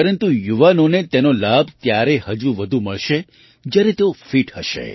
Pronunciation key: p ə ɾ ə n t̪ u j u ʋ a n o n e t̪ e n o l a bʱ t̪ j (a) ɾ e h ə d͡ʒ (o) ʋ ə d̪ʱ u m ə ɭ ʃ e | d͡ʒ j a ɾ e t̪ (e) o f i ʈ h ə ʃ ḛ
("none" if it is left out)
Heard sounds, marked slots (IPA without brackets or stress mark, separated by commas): a, u, e